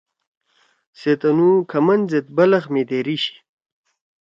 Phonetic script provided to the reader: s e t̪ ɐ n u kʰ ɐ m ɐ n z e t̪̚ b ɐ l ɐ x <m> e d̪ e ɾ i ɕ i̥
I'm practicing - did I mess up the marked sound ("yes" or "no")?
no